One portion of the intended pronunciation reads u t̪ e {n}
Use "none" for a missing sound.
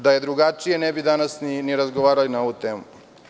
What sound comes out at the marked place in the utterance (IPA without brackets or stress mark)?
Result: m